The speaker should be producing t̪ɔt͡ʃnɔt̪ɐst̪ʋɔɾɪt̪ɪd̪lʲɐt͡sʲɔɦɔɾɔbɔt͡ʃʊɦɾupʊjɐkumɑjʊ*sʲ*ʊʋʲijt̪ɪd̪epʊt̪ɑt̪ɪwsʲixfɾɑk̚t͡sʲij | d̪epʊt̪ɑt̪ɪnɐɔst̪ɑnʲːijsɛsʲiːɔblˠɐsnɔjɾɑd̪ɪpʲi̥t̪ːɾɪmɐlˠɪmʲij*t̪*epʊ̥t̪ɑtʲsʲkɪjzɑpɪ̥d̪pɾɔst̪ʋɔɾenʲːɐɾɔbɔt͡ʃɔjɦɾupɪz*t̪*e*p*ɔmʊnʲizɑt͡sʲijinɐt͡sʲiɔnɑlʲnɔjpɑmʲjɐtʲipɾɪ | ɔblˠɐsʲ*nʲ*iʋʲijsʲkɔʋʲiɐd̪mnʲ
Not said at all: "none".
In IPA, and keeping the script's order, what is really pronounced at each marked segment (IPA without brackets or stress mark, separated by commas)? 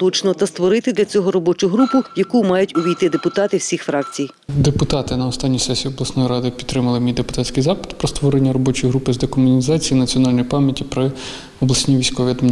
tʲ, d̪, d̪, k, nʲ